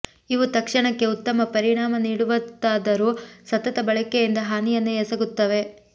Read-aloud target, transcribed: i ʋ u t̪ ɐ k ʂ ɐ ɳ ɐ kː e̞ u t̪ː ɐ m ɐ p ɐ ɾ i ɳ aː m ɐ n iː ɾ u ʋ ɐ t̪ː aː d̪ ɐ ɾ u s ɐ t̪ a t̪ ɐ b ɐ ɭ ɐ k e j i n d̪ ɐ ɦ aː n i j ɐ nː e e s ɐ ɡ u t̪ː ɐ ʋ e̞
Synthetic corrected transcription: i ʋ u t̪ ɐ k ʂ ɐ ɳ ɐ kː e̞ u t̪ː ɐ m ɐ p ɐ ɾ i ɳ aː m ɐ n iː ɽ u ʋ ɐ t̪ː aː d̪ ɐ ɾ u s ɐ t̪ ɐ t̪ ɐ b ɐ ɭ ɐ k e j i n d̪ ɐ ɦ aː n i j ɐ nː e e s ɐ ɡ u t̪ː ɐ ʋ e̞